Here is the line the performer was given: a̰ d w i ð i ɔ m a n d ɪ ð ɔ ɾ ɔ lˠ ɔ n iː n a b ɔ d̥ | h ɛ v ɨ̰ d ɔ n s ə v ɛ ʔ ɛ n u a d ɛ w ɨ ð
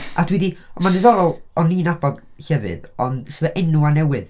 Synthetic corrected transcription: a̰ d w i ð i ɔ m a n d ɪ ð ɔ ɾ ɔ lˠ ɔ n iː n a b ɔ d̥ | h ɛ v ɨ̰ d ɔ n s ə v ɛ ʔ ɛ n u a n ɛ w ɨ ð